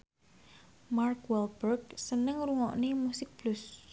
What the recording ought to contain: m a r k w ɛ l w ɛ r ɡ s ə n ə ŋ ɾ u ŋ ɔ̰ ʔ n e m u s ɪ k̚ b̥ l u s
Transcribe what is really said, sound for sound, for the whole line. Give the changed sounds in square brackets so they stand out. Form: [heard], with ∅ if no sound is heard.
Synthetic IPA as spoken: m a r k w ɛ l [b] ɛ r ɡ s ə n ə ŋ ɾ u ŋ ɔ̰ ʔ n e m u s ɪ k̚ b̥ l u s